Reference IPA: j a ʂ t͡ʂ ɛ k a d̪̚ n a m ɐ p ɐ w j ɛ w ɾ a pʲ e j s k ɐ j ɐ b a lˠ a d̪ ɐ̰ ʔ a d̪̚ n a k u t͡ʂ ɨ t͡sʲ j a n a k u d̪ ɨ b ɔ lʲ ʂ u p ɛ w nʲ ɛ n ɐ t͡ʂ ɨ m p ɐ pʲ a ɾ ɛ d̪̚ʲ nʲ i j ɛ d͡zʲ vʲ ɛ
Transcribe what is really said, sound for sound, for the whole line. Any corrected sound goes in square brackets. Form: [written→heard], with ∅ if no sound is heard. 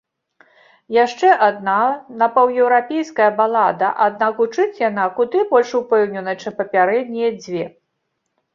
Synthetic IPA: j a ʂ t͡ʂ ɛ [k→ʔ] a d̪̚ n a [m→n] ɐ p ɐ w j ɛ w ɾ a pʲ e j s k ɐ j ɐ b a lˠ a d̪ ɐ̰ ʔ a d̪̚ n a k u t͡ʂ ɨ t͡sʲ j a n a k u d̪ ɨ b ɔ lʲ ʂ u p ɛ w nʲ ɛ n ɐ t͡ʂ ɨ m p ɐ pʲ a ɾ ɛ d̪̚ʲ nʲ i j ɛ d͡zʲ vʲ ɛ